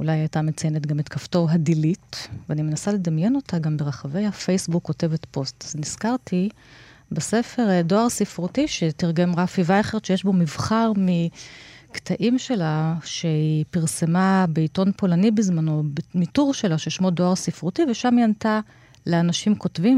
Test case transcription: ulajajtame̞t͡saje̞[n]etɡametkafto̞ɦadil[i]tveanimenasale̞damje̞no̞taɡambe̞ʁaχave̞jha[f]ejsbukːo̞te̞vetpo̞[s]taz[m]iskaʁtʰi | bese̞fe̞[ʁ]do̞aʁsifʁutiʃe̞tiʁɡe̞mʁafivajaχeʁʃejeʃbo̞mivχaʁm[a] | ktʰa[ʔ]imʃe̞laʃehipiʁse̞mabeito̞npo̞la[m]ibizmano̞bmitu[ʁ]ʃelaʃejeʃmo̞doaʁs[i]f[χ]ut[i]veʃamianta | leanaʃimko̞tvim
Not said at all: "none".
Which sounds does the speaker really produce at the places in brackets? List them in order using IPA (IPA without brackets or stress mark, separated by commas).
n, i, f, s, n, ʁ, i, ʔ, n, ʁ, i, ʁ, i